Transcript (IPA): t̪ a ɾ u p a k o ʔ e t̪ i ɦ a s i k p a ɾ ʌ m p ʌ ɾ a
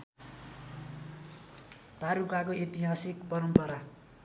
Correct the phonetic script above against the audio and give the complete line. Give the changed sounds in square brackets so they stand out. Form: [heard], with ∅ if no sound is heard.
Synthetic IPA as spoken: t̪ a ɾ u [k] a k o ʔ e t̪ i ɦ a s i k p [ʌ] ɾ ʌ m p ʌ ɾ a